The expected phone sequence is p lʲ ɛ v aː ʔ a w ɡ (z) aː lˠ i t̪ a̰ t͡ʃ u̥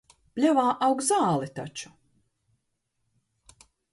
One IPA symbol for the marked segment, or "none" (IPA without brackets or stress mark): z